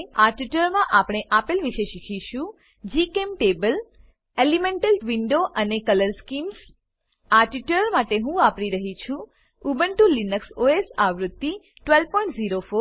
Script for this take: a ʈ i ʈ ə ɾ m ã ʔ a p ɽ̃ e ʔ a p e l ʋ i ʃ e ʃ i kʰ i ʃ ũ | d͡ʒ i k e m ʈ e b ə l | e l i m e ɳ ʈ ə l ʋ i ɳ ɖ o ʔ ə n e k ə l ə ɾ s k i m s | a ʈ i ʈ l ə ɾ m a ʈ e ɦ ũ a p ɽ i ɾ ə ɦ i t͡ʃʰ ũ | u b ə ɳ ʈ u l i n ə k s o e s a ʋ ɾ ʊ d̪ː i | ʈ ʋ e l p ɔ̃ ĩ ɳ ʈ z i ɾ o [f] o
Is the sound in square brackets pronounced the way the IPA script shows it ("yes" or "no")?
yes